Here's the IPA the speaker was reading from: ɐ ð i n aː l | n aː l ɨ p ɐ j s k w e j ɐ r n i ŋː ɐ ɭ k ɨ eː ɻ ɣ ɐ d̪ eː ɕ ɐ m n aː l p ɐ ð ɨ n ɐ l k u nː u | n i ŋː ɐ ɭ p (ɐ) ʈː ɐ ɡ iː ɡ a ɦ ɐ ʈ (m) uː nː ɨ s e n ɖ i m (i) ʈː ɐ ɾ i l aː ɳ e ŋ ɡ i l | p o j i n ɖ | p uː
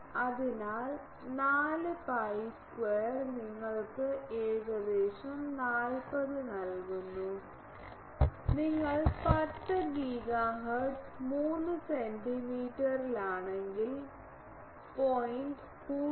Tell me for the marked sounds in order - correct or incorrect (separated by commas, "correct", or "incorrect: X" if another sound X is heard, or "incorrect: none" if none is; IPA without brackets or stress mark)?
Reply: correct, correct, incorrect: iː